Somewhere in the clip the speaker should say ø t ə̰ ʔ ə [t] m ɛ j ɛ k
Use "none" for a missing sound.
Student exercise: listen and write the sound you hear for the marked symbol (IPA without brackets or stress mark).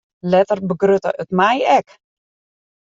t